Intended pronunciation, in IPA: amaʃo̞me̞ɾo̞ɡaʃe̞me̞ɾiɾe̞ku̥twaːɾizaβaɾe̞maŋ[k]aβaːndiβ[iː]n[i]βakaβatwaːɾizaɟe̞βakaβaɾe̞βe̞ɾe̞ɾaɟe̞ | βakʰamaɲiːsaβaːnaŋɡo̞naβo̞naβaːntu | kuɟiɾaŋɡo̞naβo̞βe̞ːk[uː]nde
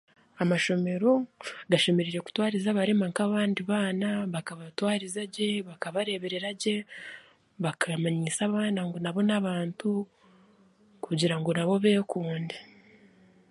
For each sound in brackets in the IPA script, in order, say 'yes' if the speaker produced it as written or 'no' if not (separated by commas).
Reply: yes, no, no, yes